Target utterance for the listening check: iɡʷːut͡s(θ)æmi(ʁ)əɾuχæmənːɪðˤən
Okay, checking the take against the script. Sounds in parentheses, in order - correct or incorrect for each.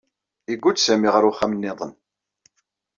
incorrect, correct

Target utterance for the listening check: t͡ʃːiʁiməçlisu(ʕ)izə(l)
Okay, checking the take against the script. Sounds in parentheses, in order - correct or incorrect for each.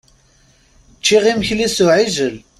correct, correct

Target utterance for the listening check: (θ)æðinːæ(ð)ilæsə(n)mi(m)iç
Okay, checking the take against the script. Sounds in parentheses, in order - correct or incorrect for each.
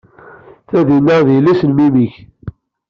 correct, correct, correct, correct

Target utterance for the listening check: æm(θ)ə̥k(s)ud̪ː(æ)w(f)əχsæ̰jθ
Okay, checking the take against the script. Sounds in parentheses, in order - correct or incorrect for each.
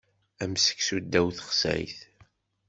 incorrect, correct, correct, incorrect

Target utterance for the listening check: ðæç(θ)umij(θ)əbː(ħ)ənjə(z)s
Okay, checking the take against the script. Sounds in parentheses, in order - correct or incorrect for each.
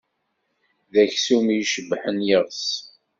incorrect, incorrect, correct, incorrect

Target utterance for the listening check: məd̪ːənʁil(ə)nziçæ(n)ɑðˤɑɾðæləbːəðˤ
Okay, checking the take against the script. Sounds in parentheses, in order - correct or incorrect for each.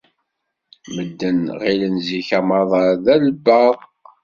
correct, incorrect

